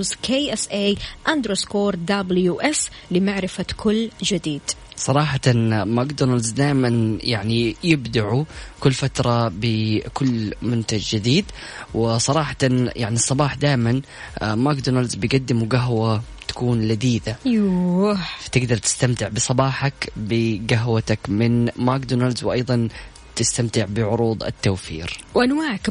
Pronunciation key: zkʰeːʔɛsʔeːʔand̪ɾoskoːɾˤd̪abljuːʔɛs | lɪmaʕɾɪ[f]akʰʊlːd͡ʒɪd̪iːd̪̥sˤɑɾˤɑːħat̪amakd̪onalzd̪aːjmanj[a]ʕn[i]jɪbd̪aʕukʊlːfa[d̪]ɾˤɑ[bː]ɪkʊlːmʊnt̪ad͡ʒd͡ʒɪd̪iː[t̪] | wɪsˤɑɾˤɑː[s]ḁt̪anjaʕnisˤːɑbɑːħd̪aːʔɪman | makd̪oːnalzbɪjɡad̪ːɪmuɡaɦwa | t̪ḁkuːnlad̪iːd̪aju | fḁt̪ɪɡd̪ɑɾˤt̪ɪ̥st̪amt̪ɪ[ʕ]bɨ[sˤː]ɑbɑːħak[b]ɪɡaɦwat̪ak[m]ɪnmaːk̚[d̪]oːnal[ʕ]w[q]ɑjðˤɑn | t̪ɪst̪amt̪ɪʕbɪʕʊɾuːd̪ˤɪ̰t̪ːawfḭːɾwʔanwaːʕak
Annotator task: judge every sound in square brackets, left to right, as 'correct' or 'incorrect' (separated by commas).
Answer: correct, correct, correct, incorrect, incorrect, incorrect, incorrect, correct, incorrect, correct, correct, correct, incorrect, incorrect